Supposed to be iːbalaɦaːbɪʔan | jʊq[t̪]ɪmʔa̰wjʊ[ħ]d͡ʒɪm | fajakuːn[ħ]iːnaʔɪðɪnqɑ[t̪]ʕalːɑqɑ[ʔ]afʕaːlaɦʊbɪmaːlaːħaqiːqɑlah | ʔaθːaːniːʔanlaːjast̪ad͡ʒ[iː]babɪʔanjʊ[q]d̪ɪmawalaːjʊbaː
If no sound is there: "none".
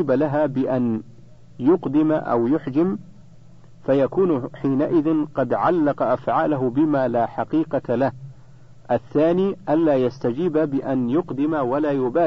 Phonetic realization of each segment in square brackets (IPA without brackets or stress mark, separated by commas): d̪, ħ, ħ, d̪, ʔ, iː, q